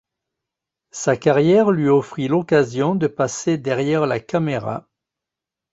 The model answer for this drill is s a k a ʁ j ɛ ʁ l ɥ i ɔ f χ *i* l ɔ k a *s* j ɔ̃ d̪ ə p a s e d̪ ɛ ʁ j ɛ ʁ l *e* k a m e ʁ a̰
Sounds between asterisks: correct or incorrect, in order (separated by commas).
correct, incorrect, incorrect